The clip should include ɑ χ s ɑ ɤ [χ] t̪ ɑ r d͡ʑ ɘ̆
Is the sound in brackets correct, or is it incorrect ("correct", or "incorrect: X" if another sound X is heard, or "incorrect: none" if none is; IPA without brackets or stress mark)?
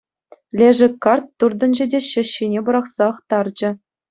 correct